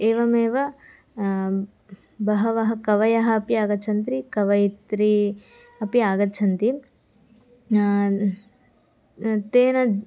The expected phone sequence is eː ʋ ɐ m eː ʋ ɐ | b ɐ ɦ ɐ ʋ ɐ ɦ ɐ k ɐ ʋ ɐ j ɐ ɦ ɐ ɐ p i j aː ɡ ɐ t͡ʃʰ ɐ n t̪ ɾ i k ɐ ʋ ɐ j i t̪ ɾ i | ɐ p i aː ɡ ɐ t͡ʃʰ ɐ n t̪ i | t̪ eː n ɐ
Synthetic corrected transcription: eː ʋ ɐ m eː ʋ ɐ | b ɐ ɦ ɐ ʋ ɐ ɦ ɐ k ɐ ʋ ɐ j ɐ ɦ ɐ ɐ p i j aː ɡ ɐ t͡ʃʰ ɐ n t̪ ɾ i k ɐ ʋ ɐ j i t̪ ɾ i | ɐ p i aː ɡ ɐ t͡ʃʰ ɐ n t̪ i | t̪ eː n ɐ